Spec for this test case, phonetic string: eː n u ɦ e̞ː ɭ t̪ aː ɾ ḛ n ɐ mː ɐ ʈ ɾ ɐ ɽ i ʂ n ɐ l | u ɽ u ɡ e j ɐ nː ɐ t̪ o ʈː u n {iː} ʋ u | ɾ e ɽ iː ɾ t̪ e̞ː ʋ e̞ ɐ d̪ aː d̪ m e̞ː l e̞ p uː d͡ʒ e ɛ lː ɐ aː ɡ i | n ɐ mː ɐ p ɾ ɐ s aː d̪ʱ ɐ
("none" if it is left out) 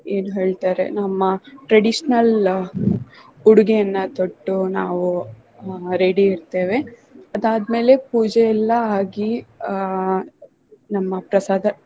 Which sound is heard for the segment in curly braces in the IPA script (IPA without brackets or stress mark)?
aː